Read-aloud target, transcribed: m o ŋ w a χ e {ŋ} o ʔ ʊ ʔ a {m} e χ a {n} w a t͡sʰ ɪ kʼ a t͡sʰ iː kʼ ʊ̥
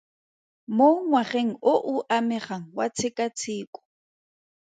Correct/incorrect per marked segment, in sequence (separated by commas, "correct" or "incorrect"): correct, correct, incorrect